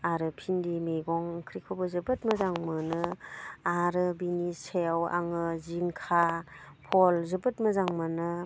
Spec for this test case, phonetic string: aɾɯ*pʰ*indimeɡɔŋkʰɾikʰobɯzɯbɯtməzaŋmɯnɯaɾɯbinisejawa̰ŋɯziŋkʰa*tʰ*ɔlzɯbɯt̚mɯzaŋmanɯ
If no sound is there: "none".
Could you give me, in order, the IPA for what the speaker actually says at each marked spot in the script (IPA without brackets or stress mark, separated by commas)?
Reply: pʰ, pʰ